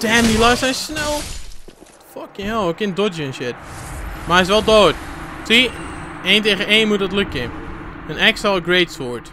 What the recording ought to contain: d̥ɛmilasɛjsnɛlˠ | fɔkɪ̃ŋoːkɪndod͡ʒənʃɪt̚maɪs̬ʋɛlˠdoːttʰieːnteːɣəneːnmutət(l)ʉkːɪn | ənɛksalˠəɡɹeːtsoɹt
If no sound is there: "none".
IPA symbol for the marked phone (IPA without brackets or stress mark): l